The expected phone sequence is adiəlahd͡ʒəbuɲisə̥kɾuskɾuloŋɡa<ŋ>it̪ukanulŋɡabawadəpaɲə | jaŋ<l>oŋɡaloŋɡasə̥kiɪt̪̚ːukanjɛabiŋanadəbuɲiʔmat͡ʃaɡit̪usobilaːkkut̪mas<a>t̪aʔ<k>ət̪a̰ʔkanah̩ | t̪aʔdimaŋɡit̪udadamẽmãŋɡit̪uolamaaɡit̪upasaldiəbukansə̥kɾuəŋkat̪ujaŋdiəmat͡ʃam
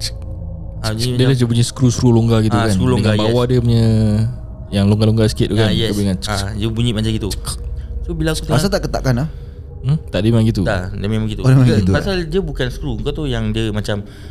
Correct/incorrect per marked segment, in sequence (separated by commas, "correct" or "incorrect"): incorrect, correct, correct, correct